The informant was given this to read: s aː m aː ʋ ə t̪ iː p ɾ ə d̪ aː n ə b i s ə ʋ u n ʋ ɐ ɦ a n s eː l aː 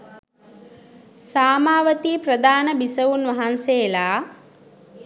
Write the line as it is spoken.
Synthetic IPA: s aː m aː ʋ ə t̪ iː p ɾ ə d̪ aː n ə b i s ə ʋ u n ʋ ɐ ɦ a n s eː l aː